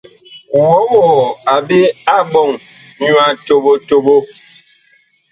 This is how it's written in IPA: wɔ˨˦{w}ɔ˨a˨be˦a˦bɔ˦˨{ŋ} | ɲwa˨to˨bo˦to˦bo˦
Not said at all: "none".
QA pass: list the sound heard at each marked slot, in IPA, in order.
w, ŋ

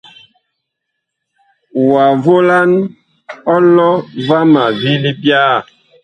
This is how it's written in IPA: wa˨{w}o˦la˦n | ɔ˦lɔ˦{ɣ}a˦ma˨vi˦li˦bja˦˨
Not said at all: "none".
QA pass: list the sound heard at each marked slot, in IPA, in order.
v, v

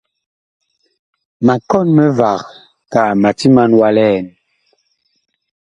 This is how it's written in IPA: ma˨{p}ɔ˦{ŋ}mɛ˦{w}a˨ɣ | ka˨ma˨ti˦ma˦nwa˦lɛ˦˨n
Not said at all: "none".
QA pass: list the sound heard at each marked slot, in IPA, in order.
k, n, v

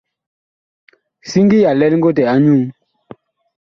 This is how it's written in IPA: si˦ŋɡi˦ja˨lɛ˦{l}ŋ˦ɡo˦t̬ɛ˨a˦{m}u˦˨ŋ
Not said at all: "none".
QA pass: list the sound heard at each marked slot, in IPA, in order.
l, ɲ

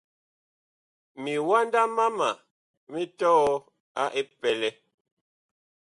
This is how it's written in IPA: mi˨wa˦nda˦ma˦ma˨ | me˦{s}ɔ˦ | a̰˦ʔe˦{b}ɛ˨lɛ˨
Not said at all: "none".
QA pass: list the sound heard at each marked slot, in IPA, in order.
t, p

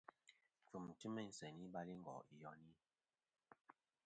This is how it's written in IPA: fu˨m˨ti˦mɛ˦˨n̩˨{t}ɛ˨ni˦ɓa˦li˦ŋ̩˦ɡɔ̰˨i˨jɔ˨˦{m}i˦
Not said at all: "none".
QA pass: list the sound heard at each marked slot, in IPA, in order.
s, n

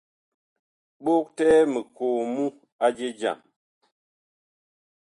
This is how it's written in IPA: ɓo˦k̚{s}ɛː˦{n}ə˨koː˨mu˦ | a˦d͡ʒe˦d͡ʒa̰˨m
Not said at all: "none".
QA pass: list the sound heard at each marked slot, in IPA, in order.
t, m

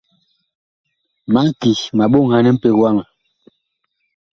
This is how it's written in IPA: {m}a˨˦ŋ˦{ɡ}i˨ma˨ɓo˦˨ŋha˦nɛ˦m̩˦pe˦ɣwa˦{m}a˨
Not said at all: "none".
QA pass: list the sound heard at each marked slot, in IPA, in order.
m, k, ŋ

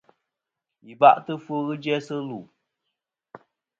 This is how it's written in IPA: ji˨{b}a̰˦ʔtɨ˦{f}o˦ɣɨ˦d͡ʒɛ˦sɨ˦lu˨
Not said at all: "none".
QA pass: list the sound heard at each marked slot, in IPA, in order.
b, f

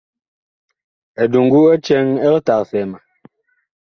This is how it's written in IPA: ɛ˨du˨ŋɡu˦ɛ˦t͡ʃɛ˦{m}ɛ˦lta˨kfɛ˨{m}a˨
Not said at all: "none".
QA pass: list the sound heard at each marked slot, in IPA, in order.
ŋ, m

